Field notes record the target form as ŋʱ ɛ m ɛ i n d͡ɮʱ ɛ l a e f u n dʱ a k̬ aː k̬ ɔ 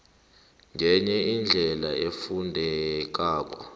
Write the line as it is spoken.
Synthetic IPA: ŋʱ ɛ ɲ ɛ i n d͡ɮʱ ɛ l a e f u n dʱ ɛ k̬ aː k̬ ɔ